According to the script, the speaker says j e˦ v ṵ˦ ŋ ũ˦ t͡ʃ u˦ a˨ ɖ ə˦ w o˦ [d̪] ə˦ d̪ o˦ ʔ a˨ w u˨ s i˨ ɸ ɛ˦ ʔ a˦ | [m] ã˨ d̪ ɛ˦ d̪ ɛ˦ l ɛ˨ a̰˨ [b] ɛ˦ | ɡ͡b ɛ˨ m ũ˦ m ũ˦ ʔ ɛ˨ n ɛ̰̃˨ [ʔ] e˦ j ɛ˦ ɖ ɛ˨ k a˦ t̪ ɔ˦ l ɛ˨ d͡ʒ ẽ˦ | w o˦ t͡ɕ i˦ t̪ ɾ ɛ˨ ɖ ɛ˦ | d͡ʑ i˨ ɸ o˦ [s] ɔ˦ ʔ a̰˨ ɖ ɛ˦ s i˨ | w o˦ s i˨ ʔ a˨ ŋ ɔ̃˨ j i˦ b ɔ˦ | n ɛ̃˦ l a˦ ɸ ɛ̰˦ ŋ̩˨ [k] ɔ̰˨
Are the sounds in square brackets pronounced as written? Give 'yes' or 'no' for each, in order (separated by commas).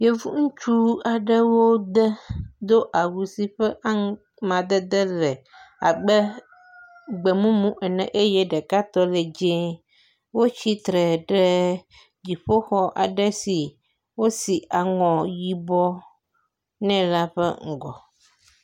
yes, yes, no, yes, no, no